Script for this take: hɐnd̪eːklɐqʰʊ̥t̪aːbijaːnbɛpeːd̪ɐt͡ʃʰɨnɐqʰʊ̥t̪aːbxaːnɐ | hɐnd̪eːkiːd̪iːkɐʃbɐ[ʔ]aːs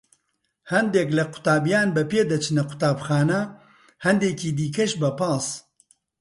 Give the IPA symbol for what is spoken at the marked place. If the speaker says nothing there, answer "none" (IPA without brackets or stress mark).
p